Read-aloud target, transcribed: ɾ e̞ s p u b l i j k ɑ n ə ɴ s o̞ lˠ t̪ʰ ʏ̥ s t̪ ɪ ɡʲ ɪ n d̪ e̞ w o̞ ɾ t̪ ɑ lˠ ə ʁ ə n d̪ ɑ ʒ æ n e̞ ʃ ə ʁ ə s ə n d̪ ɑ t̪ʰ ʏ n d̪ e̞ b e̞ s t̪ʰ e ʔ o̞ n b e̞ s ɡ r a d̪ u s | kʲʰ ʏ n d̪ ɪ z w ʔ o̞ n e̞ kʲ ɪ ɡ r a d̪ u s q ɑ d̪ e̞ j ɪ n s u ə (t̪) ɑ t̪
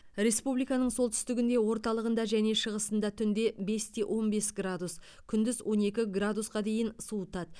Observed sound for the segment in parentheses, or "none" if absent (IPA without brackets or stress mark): t̪